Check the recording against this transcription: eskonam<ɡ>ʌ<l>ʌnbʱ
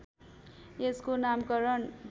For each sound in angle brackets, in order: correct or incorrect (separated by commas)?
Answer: incorrect, incorrect